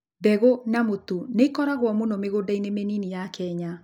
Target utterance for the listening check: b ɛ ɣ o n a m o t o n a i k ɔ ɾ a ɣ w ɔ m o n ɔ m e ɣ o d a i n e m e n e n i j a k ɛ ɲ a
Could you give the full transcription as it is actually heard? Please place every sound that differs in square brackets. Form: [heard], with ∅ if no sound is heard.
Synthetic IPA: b ɛ ɣ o n a m o t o n [e] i k ɔ ɾ a ɣ w ɔ m o n ɔ m e ɣ o d a i n e m e n [i] n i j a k ɛ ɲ a

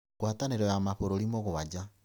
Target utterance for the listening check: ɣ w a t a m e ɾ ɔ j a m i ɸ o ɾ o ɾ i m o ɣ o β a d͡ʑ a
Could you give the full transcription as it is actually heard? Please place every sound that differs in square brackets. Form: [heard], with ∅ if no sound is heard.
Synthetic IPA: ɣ w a t a [n] e ɾ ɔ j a m [a] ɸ o ɾ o ɾ i m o ɣ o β a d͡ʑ a

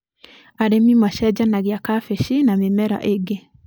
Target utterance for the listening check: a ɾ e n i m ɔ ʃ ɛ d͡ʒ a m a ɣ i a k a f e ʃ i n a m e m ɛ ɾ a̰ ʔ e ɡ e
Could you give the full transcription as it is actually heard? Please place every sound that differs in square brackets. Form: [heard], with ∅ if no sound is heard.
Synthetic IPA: a ɾ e [m] i m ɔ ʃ ɛ d͡ʒ a [n] a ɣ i a k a f e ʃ i n a m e m ɛ ɾ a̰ ʔ e ɡ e

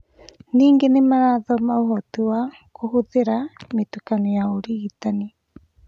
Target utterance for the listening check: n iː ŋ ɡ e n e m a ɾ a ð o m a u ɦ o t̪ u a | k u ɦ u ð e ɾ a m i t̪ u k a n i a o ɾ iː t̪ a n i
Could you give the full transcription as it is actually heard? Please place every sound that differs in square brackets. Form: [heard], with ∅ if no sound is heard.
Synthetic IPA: n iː ŋ ɡ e n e m a ɾ a ð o m a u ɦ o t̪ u a | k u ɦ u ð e ɾ a m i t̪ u k a n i a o ɾ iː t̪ a n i

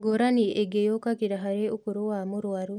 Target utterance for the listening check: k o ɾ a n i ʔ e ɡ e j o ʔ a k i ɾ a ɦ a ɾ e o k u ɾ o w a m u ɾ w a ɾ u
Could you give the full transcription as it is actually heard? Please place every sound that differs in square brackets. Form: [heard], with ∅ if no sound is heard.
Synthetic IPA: [ɡ] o ɾ a n i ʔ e ɡ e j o [k] a k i ɾ a ɦ a ɾ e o k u ɾ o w a m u ɾ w a ɾ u

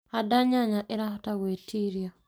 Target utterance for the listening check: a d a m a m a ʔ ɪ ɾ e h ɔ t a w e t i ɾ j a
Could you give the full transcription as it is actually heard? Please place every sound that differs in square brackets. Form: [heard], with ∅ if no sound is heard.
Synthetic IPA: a d a [ɲ] a [ɲ] a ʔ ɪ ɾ [a] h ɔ t a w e t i ɾ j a

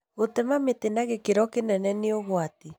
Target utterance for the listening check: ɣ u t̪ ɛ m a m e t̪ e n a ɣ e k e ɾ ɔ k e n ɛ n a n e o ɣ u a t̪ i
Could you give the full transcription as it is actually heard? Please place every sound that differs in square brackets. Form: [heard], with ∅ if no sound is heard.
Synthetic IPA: ɣ [o] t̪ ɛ m a m e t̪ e n a ɣ e k e ɾ ɔ k e n ɛ n [ɛ] n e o ɣ [w] a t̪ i

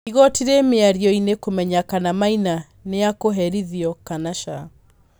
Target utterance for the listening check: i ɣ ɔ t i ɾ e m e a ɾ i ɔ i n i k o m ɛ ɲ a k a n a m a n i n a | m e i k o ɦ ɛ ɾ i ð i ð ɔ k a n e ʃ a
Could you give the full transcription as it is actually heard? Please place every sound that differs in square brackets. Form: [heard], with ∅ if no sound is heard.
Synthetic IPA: i ɣ ɔ t i ɾ e m e a ɾ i ɔ i n [e] k o m ɛ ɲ a k a n a m a [∅] i n a | [n] e [a] k o ɦ ɛ ɾ i ð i [∅] ɔ k a n [a] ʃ a

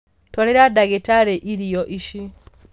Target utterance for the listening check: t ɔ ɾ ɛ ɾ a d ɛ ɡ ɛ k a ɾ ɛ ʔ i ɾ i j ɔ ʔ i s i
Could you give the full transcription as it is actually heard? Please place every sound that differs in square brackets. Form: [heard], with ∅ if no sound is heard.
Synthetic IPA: t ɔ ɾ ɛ ɾ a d [a] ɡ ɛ [t] a ɾ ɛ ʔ i ɾ i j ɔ ʔ i [ʃ] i

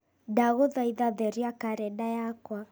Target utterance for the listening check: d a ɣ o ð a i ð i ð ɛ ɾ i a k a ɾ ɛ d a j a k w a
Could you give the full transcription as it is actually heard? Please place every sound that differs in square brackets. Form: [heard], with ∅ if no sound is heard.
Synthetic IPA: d a ɣ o ð a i ð [a] ð ɛ ɾ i a k a ɾ ɛ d a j a k w a

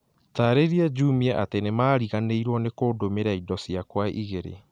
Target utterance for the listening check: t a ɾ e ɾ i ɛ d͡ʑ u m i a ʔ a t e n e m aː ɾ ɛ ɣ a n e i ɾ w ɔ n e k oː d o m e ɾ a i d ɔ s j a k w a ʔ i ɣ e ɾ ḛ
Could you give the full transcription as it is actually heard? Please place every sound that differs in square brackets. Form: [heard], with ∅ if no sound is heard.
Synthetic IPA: t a ɾ e ɾ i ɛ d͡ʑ u m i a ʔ a t e n e m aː ɾ [i] ɣ a n e i ɾ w ɔ n e k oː d o m e ɾ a i d ɔ s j a k w a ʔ i ɣ e ɾ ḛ

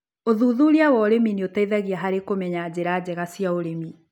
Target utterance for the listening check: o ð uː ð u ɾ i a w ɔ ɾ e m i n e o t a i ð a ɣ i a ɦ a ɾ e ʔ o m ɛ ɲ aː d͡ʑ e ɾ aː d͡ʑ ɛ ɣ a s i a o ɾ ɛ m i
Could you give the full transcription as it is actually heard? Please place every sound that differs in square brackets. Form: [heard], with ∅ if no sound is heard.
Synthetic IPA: o ð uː ð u ɾ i a w ɔ ɾ e m i n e o t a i ð a ɣ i a ɦ a ɾ e [k] o m ɛ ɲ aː d͡ʑ e ɾ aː d͡ʑ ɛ ɣ a s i a o ɾ [e] m i

